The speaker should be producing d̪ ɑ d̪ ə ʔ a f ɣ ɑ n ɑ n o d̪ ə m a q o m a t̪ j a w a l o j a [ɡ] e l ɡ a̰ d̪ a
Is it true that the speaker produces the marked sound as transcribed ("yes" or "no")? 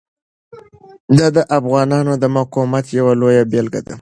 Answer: no